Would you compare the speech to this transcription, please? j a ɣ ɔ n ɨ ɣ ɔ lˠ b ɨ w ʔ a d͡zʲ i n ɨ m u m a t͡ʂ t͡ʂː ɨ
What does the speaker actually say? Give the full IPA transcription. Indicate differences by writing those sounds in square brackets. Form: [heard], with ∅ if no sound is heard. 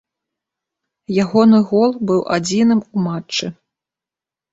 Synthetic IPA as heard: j a ɣ ɔ n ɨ ɣ ɔ lˠ b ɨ w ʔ a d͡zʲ i n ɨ m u m a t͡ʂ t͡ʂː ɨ